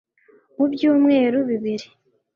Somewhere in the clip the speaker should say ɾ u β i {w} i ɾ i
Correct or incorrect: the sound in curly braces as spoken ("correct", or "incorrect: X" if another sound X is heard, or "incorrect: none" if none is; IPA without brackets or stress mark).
incorrect: β